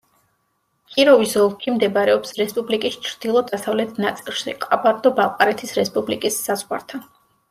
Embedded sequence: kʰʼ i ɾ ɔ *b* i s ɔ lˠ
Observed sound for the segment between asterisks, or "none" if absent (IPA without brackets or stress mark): v